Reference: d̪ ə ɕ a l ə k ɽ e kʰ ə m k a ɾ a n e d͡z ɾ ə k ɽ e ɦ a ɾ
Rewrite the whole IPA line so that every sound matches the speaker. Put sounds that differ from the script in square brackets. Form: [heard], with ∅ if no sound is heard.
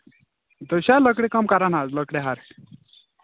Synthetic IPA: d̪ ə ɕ a l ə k ɽ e [k] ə m k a ɾ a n [a] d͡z [l] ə k ɽ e ɦ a ɾ